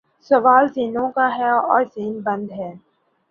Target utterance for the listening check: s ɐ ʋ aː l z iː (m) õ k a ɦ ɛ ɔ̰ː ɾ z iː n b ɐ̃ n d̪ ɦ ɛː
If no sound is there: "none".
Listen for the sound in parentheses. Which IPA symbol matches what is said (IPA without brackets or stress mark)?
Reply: n